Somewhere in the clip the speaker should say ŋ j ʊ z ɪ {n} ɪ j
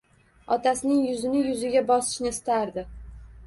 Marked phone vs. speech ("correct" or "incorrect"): correct